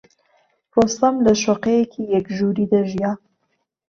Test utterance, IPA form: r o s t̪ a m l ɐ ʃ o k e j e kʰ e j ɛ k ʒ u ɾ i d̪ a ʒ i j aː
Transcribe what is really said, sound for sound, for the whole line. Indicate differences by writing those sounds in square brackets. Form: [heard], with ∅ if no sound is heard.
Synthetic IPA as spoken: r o s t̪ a m l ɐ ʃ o [q] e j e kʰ [i] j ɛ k ʒ u ɾ i d̪ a ʒ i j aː